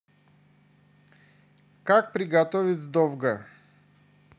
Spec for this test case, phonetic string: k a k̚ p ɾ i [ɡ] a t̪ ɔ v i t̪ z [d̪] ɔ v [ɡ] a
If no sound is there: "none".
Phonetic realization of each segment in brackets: ɡ, d̪, ɡ

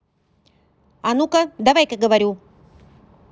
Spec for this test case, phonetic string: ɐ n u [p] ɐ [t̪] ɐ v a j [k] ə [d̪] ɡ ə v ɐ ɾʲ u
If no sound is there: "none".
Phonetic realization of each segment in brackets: k, d̪, k, none

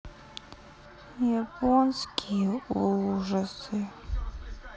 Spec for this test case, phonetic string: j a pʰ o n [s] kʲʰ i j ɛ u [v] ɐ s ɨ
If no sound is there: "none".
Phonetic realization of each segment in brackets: s, ʐ

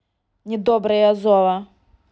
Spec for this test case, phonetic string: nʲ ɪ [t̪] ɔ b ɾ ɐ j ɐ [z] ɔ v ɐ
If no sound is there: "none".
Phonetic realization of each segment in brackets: d̪, z

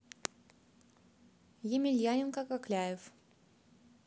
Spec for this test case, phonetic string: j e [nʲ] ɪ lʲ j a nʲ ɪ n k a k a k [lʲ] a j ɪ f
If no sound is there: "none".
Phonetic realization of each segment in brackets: mʲ, lʲ

